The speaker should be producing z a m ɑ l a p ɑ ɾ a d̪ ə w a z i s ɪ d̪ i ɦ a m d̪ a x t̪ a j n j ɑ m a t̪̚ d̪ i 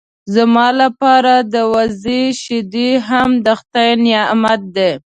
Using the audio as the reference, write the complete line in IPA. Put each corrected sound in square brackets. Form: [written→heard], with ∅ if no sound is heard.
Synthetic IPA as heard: z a m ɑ l a p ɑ ɾ a d̪ ə w a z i [s→ʃ] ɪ d̪ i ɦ a m d̪ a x t̪ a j n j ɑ m a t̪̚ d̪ [i→e]